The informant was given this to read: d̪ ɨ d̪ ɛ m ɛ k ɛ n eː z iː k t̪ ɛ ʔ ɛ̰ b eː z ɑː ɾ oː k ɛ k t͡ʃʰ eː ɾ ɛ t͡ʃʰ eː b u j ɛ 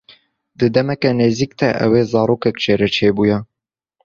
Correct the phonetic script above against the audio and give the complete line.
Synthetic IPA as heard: d̪ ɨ d̪ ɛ m ɛ k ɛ n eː z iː k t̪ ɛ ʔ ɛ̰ w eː z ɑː ɾ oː k ɛ k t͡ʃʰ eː ɾ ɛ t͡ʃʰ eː b u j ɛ